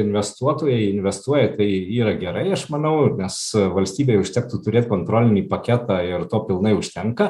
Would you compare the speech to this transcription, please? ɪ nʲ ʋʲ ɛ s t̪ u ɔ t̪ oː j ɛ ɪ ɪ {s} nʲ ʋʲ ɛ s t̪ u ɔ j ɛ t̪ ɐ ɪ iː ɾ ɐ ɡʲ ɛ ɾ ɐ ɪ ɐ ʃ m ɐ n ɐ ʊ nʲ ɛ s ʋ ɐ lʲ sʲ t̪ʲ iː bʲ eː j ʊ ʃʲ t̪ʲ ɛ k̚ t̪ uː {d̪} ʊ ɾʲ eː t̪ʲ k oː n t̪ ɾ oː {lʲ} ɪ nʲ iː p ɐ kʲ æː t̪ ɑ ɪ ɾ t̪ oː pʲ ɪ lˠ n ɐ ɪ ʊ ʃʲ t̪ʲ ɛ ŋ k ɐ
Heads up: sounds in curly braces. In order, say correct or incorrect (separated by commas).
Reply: incorrect, incorrect, correct